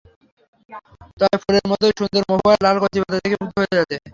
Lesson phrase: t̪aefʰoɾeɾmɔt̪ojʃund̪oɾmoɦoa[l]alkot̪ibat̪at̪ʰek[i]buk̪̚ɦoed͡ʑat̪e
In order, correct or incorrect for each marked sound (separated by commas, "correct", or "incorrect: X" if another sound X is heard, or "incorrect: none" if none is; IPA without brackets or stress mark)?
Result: correct, incorrect: e